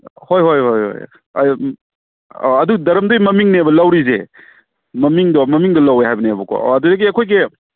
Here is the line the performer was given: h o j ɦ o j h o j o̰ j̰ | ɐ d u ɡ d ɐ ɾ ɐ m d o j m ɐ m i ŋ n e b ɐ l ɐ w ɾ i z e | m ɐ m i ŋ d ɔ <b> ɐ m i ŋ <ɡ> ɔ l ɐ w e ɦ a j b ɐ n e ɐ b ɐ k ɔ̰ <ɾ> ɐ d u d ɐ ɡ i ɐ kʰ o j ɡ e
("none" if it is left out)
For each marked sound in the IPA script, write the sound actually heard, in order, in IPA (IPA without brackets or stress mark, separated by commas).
m, d, none